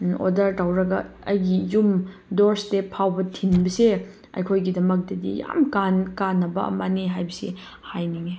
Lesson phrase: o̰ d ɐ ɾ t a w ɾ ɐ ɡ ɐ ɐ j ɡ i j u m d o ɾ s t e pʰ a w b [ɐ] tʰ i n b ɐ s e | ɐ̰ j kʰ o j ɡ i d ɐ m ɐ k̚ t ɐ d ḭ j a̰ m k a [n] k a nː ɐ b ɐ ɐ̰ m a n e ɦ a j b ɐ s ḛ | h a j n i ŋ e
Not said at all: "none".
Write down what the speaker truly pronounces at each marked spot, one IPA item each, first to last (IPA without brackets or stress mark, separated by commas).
ɐ, n